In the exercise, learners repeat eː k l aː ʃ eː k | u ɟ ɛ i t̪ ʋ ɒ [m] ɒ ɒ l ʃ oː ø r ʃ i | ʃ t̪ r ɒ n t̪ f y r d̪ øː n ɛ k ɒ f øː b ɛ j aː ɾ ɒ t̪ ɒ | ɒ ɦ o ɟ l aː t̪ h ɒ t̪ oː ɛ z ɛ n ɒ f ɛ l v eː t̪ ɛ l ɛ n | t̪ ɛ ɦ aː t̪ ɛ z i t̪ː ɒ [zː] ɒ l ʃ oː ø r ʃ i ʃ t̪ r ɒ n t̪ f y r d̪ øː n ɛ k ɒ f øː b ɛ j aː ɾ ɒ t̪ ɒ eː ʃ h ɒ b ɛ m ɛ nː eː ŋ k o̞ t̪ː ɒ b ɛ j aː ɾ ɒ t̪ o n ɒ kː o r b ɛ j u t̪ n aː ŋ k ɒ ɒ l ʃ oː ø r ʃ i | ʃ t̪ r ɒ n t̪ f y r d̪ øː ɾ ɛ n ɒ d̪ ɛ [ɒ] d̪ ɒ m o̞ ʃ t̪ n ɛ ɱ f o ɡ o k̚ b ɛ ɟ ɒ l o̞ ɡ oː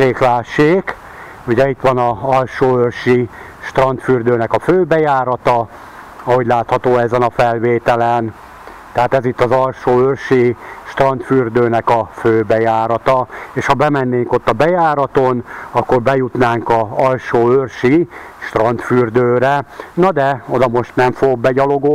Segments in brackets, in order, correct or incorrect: incorrect, incorrect, incorrect

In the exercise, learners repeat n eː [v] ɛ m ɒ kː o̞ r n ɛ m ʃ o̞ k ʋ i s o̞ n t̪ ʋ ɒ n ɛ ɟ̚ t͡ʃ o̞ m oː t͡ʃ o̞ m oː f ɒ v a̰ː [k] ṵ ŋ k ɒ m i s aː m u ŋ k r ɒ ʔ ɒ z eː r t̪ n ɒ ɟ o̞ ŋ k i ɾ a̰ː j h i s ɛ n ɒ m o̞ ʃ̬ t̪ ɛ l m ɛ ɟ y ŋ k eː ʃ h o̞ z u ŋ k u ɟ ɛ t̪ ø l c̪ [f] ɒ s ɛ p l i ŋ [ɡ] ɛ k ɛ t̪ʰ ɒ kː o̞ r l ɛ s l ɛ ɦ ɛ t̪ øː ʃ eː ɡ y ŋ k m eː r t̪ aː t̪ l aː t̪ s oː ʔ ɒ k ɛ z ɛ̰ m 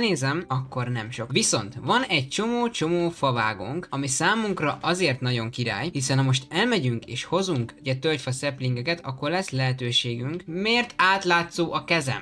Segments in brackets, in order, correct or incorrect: incorrect, incorrect, correct, correct

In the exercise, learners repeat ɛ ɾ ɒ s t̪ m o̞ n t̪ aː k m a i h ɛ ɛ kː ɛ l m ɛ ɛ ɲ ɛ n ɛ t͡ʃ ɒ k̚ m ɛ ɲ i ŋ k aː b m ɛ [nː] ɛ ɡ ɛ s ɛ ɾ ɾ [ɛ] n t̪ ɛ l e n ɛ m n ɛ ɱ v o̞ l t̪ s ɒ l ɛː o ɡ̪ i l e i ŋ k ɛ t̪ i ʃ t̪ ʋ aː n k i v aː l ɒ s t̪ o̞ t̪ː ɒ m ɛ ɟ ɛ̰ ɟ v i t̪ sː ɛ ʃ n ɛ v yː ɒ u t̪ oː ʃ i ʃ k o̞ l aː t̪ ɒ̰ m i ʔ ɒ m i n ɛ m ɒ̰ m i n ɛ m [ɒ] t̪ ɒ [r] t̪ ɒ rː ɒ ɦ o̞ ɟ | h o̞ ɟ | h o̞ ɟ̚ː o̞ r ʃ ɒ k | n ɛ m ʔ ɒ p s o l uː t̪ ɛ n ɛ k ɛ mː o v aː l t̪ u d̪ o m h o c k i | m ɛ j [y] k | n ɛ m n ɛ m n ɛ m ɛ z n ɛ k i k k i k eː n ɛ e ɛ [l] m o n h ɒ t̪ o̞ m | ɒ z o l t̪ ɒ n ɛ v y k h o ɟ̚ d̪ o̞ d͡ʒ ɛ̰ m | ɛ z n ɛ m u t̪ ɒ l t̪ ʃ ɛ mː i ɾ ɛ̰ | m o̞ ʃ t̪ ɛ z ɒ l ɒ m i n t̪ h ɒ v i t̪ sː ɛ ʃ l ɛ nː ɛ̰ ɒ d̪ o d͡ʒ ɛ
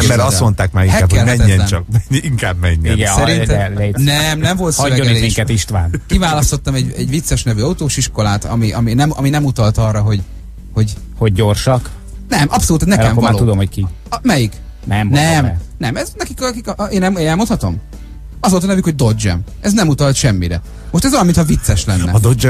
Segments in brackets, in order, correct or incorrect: incorrect, incorrect, incorrect, incorrect, incorrect, correct

